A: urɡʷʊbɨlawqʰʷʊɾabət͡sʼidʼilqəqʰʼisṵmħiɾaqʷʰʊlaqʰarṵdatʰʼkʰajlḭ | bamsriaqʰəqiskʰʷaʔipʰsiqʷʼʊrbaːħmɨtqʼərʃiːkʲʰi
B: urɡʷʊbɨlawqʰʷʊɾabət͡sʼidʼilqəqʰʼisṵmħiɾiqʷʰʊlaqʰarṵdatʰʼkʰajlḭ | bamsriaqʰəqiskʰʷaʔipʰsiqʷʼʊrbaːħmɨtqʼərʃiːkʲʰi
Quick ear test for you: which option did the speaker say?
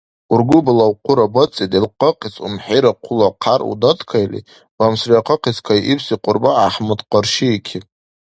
A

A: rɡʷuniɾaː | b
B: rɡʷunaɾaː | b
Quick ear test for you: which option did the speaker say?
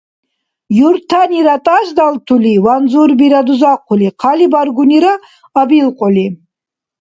A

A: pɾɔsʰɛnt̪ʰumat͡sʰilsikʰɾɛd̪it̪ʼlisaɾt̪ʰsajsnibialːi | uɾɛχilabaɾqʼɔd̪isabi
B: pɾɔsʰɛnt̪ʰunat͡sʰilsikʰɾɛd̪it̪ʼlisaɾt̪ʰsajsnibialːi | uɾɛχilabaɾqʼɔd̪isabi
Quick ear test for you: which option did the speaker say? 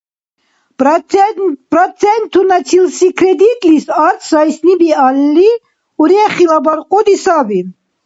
B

